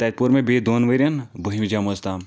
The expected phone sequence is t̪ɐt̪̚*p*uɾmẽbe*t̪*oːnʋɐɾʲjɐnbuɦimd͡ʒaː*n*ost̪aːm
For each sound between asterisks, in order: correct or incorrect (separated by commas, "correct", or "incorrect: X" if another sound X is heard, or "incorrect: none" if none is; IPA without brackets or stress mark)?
correct, incorrect: d̪, incorrect: m